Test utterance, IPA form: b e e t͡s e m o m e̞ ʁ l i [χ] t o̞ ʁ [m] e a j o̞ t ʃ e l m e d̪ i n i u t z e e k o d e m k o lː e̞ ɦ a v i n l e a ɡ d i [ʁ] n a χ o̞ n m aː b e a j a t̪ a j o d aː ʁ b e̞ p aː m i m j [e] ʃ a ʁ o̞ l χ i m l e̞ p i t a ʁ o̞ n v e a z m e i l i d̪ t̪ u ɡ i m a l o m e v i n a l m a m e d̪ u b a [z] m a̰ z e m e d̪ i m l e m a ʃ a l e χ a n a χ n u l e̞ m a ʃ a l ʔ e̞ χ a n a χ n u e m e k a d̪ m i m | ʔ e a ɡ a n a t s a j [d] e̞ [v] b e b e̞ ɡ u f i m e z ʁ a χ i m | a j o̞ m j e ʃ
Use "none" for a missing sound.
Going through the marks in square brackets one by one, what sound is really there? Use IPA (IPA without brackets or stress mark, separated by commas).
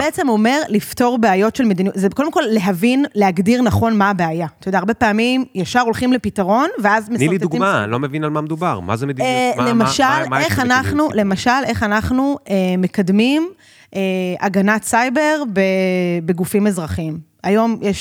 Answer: f, b, ʁ, a, ʁ, b, ʁ